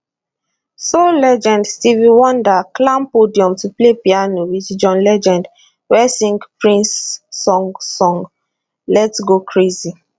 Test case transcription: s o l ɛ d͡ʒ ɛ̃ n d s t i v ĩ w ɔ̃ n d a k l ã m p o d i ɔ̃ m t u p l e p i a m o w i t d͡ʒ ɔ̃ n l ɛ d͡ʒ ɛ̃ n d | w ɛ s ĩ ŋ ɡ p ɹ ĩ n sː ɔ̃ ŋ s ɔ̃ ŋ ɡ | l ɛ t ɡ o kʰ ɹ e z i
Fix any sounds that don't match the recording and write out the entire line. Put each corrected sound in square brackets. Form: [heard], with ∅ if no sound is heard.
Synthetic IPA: s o l ɛ d͡ʒ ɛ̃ n d s t i v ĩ w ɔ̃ n d a k l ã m p o d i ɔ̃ m t u p l e p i a [n] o w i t d͡ʒ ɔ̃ n l ɛ d͡ʒ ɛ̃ n d | w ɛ s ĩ ŋ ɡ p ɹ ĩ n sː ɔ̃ ŋ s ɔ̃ ŋ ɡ | l ɛ t ɡ o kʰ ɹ e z i